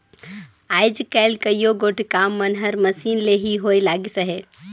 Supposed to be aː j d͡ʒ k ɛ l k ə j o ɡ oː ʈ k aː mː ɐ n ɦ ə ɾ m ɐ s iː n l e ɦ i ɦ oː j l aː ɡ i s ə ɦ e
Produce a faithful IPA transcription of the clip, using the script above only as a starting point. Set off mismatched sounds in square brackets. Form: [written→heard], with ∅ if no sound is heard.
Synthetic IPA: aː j d͡ʒ k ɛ l k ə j o ɡ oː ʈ k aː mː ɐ n ɦ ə ɾ m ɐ s iː n l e ɦ i ɦ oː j l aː ɡ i s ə ɦ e